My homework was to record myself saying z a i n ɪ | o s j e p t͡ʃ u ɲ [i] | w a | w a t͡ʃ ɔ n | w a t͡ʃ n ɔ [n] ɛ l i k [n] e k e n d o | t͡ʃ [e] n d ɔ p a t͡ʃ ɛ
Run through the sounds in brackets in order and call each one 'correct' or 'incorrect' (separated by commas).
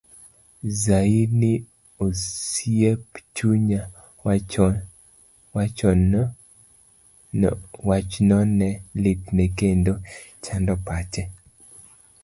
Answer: incorrect, correct, correct, incorrect